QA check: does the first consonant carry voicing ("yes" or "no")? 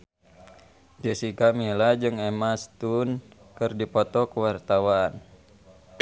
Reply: yes